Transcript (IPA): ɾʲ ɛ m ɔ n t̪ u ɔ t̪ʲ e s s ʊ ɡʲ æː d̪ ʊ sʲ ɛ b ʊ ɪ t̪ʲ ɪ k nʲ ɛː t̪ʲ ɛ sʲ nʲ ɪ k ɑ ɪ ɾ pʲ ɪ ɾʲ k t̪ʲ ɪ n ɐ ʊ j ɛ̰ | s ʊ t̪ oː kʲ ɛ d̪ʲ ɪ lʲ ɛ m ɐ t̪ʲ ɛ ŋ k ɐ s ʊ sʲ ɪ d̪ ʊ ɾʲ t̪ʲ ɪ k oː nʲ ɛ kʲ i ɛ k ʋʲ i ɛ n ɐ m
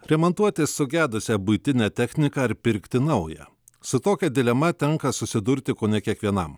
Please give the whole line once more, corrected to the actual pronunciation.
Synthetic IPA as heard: ɾʲ ɛ m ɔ n t̪ u ɔ t̪ʲ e s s ʊ ɡʲ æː d̪ ʊ sʲ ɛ b ʊ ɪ t̪ʲ ɪ nʲ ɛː t̪ʲ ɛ xʲ nʲ ɪ k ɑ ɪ ɾ pʲ ɪ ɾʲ k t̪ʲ ɪ n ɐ ʊ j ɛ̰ | s ʊ t̪ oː kʲ ɛ d̪ʲ ɪ lʲ ɛ m ɐ t̪ʲ ɛ ŋ k ɐ s ʊ sʲ ɪ d̪ ʊ ɾʲ t̪ʲ ɪ k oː nʲ ɛ kʲ i ɛ k ʋʲ i ɛ n ɐ m